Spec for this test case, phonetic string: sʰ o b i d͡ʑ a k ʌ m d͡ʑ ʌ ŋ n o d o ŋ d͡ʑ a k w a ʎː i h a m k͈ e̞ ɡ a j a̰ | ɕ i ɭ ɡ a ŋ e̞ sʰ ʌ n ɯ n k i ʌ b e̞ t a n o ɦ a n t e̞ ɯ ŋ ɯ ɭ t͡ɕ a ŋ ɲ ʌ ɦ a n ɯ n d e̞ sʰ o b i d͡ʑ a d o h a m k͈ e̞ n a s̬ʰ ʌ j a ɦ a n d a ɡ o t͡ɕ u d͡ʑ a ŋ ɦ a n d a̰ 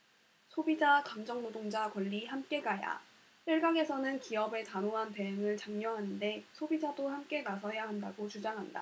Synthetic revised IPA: sʰ o b i d͡ʑ a k a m d͡ʑ ʌ ŋ n o d o ŋ d͡ʑ a k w ʌ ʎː i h a m k͈ e̞ ɡ a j a̰ | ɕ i ɭ ɡ a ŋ e̞ sʰ ʌ n ɯ n k i ʌ b e̞ t a n o ɦ a n t e̞ ɯ ŋ ɯ ɭ t͡ɕ a ŋ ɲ ʌ ɦ a n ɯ n d e̞ sʰ o b i d͡ʑ a d o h a m k͈ e̞ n a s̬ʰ ʌ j a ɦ a n d a ɡ o t͡ɕ u d͡ʑ a ŋ ɦ a n d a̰